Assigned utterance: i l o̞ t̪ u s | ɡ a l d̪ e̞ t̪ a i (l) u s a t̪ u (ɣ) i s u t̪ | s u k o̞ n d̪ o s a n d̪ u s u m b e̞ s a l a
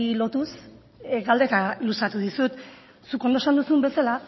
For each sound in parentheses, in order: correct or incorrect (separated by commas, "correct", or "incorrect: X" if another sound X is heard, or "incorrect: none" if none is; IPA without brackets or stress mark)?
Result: correct, incorrect: ð